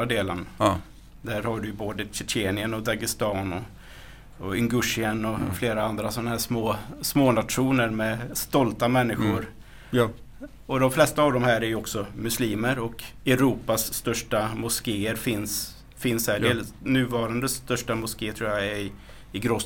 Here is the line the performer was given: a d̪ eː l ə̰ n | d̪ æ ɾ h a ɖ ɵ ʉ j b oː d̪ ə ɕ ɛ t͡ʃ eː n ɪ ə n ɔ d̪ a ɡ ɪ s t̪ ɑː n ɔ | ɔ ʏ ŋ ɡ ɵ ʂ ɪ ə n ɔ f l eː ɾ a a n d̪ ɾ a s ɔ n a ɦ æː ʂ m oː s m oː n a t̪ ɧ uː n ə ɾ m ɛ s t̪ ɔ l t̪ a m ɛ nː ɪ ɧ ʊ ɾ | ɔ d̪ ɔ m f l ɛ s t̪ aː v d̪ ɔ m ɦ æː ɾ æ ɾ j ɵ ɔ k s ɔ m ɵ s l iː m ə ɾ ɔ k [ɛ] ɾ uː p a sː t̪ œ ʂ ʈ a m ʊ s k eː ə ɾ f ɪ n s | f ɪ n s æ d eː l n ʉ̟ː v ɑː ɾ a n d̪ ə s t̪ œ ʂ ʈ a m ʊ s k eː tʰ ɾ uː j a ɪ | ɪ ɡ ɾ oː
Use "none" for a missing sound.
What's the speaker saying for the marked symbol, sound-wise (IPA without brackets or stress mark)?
ɛ